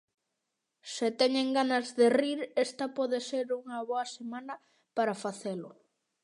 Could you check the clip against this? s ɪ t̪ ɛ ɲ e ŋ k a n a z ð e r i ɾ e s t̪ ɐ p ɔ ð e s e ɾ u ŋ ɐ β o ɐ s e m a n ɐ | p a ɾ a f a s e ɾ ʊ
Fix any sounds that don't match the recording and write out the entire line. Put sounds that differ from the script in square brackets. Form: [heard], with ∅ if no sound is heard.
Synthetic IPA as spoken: s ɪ t̪ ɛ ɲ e ŋ [ɡ] a n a z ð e r i ɾ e s t̪ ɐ p ɔ ð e s e ɾ u ŋ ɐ β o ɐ s e m a n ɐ | p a ɾ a f a [θ] e [l] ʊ